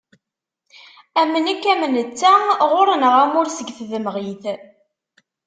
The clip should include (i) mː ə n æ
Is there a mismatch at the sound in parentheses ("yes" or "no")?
yes